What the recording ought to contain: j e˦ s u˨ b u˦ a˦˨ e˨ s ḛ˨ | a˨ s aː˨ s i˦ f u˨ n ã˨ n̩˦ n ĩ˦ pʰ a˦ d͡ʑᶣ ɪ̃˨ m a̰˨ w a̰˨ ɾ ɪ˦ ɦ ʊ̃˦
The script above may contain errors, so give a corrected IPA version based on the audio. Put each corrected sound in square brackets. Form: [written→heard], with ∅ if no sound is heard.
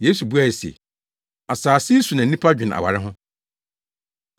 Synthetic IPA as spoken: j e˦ s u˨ b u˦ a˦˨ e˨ s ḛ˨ | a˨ s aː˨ s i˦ [f→s] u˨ n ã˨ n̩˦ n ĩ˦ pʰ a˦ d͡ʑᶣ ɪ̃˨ [m→n] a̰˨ w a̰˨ ɾ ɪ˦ ɦ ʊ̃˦